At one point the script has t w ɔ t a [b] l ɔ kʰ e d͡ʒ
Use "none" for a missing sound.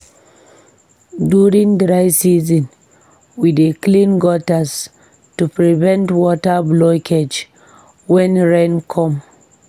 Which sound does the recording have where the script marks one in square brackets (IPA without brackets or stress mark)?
b